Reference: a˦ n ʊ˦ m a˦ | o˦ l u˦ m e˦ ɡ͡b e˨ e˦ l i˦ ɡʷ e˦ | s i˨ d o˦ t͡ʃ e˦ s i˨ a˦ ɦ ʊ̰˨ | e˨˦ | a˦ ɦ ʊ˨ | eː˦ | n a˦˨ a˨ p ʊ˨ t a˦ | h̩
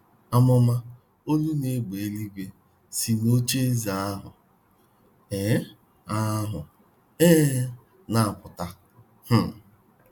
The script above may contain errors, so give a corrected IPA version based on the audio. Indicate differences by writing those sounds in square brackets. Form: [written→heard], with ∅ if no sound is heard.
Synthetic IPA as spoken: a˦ [n→m] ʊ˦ m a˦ | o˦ l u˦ [m→n] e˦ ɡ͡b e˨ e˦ l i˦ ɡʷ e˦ | s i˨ [d→n] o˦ t͡ʃ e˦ [s→z] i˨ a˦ ɦ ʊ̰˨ | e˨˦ | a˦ ɦ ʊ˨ | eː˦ | n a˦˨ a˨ p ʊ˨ t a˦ | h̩